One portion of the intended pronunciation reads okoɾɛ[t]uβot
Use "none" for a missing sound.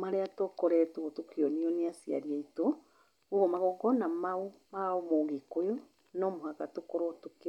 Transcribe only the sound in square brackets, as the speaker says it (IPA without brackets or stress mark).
t